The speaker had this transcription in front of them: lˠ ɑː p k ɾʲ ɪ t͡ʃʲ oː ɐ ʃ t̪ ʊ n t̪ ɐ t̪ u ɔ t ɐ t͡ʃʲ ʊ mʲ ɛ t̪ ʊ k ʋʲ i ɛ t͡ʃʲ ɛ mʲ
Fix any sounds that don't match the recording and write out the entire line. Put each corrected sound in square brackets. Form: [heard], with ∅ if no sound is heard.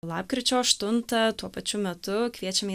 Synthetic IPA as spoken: lˠ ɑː p k ɾʲ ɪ t͡ʃʲ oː ɐ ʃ t̪ ʊ n t̪ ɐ t̪ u ɔ [p] ɐ t͡ʃʲ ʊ mʲ ɛ t̪ ʊ k ʋʲ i ɛ t͡ʃʲ ɛ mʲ